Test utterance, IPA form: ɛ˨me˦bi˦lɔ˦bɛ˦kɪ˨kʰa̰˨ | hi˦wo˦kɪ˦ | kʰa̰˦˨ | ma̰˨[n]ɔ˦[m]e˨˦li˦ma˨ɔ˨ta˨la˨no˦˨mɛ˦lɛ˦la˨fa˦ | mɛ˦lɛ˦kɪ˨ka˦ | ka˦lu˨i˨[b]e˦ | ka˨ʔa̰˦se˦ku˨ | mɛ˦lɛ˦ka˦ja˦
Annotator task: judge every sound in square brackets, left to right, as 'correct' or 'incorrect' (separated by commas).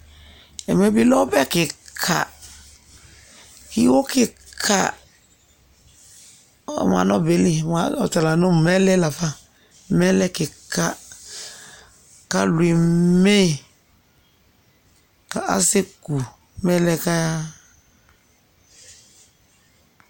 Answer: correct, incorrect, incorrect